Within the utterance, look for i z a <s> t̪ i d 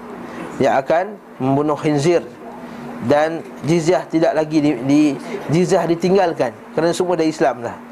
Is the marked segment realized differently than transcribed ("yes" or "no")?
yes